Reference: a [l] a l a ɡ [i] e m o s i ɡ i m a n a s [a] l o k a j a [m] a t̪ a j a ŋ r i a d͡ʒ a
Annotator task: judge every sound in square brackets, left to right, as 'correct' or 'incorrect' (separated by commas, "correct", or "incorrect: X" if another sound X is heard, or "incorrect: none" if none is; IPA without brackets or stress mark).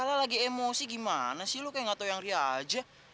correct, correct, incorrect: i, incorrect: ŋ